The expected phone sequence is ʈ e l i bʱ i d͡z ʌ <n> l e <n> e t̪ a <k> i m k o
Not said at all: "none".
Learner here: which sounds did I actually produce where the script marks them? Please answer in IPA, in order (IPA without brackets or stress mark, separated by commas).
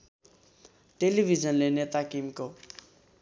n, n, k